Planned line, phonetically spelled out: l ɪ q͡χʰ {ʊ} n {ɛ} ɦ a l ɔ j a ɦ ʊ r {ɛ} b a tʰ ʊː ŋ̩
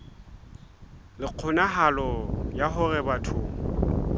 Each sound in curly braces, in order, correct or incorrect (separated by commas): correct, incorrect, correct